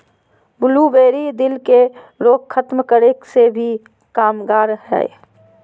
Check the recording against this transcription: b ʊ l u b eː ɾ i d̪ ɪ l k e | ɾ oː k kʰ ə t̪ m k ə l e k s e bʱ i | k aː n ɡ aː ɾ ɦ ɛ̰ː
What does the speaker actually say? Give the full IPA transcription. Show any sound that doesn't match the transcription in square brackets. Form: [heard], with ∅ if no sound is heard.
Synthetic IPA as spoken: b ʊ l u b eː ɾ i d̪ ɪ l k e | ɾ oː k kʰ ə t̪ m k ə [ɾ] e k s e bʱ i | k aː [m] ɡ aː ɾ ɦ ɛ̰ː